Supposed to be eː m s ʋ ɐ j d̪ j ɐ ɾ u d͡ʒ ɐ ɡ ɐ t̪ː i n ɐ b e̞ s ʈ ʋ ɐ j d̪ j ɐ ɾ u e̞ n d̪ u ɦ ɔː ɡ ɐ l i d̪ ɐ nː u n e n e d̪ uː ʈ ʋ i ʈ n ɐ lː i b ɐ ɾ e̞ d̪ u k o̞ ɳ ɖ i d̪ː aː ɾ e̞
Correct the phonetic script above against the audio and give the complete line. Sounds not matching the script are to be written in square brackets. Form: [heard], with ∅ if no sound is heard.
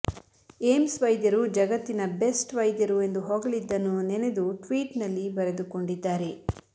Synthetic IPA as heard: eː m s ʋ ɐ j d̪ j ɐ ɾ u d͡ʒ ɐ ɡ ɐ t̪ː i n ɐ b e̞ s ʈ ʋ ɐ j d̪ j ɐ ɾ u e̞ n d̪ u ɦ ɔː ɡ ɐ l i [d̪ː] ɐ nː u n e n e d̪ [u] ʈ ʋ [iː] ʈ n ɐ lː i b ɐ ɾ e̞ d̪ u k o̞ ɳ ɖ i d̪ː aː ɾ e̞